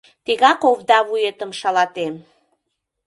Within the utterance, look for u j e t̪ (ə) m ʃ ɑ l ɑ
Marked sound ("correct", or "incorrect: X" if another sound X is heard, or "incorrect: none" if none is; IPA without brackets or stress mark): correct